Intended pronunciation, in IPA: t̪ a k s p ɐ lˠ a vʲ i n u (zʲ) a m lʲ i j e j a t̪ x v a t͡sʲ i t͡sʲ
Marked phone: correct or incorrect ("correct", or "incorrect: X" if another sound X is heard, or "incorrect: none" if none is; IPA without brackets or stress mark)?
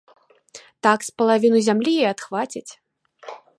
correct